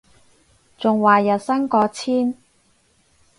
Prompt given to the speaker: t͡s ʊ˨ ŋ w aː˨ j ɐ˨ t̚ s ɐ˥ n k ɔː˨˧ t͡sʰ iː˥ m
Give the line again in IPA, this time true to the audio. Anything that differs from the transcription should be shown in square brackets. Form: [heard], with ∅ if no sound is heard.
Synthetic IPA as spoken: t͡s ʊ˨ ŋ w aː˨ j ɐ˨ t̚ s ɐ˥ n k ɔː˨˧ t͡sʰ iː˥ [n]